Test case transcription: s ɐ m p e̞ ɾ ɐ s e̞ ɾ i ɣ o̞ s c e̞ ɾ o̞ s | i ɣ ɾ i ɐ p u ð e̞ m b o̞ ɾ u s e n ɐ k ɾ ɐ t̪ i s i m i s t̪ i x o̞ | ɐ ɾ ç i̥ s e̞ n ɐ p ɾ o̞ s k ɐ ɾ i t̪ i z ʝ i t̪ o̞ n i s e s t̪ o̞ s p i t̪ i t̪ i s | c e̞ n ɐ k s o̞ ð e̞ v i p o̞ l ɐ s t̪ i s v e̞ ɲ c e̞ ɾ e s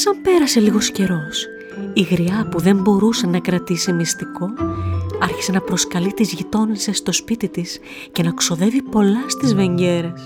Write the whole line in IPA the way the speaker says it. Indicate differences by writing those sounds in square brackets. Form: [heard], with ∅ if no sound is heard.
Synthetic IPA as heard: s ɐ m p e̞ ɾ ɐ s e̞ [l] i ɣ o̞ s c e̞ ɾ o̞ s | i ɣ ɾ i ɐ p u ð e̞ m b o̞ ɾ u s e n ɐ k ɾ ɐ t̪ i s i m i s t̪ i [k] o̞ | ɐ ɾ ç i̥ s e̞ n ɐ p ɾ o̞ s k ɐ [l] i t̪ i z ʝ i t̪ o̞ n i s e s t̪ o̞ s p i t̪ i t̪ i s | c e̞ n ɐ k s o̞ ð e̞ v i p o̞ l ɐ s t̪ i [z] v e̞ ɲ [ɟ] e̞ ɾ e s